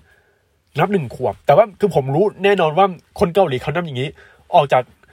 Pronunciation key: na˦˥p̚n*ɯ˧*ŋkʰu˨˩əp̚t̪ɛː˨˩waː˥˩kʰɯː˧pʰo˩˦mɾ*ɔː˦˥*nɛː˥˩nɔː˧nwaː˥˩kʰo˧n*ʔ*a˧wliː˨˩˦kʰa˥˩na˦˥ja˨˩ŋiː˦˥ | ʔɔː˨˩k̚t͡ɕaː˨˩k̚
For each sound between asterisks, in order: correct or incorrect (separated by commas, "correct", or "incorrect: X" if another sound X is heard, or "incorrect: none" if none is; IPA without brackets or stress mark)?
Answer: incorrect: ɯ˨˩, incorrect: uː˦˥, incorrect: k